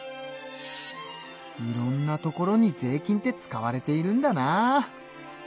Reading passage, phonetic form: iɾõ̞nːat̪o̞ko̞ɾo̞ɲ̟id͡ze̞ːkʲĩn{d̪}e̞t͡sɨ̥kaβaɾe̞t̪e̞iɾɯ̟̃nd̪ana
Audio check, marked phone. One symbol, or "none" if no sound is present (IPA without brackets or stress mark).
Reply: t̪